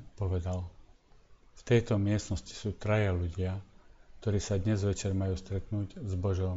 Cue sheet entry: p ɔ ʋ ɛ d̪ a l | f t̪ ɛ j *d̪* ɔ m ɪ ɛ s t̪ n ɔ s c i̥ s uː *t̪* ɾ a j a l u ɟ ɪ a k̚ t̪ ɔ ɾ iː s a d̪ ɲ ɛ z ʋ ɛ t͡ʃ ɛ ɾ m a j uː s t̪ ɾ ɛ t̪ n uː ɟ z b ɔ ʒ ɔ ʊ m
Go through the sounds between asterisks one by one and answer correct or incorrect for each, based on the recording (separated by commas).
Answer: incorrect, correct